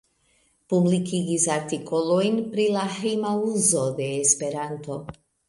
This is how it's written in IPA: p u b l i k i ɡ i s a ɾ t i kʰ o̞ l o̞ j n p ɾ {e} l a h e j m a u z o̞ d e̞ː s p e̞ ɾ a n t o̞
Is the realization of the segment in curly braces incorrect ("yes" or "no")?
yes